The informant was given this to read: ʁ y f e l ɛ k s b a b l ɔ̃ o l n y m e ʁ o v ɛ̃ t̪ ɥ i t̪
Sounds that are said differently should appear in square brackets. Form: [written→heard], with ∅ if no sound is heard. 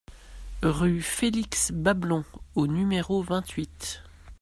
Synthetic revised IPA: ʁ y f e l [ɛ→i] k s b a b l ɔ̃ o [l→∅] n y m e ʁ o v ɛ̃ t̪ ɥ i t̪

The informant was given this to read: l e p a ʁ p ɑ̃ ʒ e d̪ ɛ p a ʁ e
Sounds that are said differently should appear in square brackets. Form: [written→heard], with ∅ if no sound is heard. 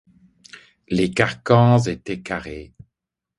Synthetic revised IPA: l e [p→k] a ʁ [p→k] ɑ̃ [ʒ→z] e [d̪→t̪] ɛ [p→k] a ʁ e

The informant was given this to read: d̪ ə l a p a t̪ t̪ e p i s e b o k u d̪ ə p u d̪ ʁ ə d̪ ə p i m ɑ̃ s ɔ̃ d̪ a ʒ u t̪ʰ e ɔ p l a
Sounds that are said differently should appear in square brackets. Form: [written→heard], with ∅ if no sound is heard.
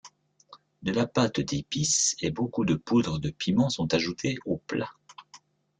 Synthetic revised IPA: d̪ ə l a p a t̪ [t̪→d̪] e p i s e b o k u d̪ ə p u d̪ ʁ ə d̪ ə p i m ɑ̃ s ɔ̃ [d̪→t̪] a ʒ u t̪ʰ e [ɔ→o] p l a

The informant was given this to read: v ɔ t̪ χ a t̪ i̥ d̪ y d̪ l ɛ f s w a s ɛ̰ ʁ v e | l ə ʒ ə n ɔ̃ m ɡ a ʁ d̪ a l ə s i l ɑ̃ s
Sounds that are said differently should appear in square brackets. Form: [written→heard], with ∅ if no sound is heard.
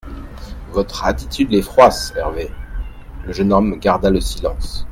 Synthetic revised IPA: v ɔ t̪ χ a t̪ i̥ [d̪→t̪] y d̪ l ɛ f [s→χ] w a s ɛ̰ ʁ v e | l ə ʒ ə n [ɔ̃→ɔ] m ɡ a ʁ d̪ a l ə s i l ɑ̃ s

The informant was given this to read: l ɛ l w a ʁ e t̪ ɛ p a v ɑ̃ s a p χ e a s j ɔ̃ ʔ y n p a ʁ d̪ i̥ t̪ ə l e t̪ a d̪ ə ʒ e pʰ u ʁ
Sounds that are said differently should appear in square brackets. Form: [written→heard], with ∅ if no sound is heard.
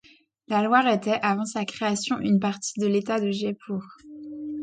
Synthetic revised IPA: l [ɛ→a] l w a ʁ e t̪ ɛ [p→ʔ] a v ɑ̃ s a [p→k] χ e a s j ɔ̃ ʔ y n p a ʁ [d̪→t̪] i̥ [t̪→d̪] ə l e t̪ a d̪ ə ʒ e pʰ u ʁ

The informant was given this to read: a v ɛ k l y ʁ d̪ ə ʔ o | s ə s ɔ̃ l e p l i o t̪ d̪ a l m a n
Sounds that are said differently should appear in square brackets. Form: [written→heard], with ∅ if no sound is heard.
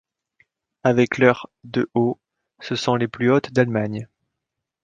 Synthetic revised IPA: a v ɛ k l [y→œ] ʁ d̪ ə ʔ o | s ə s ɔ̃ l e p l [i→y] o t̪ d̪ a l m a [n→ɲ]

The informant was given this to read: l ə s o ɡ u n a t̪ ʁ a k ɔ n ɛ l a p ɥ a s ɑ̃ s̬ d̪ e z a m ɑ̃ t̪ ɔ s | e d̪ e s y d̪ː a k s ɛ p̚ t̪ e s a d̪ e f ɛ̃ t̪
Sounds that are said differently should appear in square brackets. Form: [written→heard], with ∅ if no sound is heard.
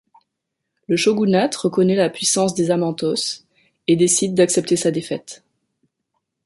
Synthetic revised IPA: l ə [s→ʃ] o ɡ u n a t̪ ʁ [a→ə] k ɔ n ɛ l a p ɥ [a→i] s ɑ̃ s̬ d̪ e z a m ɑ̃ t̪ ɔ s | e d̪ e s [y→i] d̪ː a k s ɛ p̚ t̪ e s a d̪ e f [ɛ̃→ɛ] t̪

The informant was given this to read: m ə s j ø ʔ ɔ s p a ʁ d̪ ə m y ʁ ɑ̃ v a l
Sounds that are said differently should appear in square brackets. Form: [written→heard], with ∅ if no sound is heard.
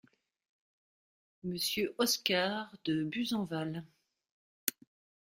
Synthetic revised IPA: m ə s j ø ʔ ɔ s [p→k] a ʁ d̪ ə [m→b] y [ʁ→z] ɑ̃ v a l

